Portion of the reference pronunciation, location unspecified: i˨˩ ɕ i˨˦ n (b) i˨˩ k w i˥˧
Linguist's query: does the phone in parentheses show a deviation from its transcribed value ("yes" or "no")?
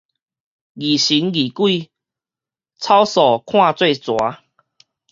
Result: yes